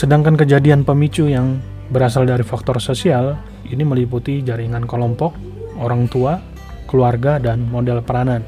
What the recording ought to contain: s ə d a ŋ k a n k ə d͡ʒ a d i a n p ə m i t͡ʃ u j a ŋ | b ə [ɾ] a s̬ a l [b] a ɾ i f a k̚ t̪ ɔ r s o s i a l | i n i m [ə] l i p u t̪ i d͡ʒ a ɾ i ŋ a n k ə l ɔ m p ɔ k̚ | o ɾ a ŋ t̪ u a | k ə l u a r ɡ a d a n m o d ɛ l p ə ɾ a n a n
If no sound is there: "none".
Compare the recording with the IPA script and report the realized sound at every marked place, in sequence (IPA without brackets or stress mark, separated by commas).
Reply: ɾ, d, ə